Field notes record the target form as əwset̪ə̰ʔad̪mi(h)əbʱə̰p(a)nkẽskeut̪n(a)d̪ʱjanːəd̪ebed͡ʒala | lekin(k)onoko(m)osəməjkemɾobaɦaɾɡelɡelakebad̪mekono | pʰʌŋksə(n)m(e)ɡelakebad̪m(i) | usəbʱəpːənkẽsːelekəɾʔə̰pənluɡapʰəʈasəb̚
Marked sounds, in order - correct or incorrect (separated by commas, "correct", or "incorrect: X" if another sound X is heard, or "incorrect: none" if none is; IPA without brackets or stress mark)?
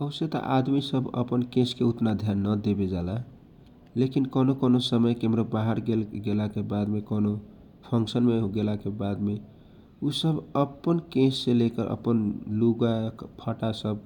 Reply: incorrect: s, incorrect: ə, correct, correct, incorrect: n, correct, correct, incorrect: e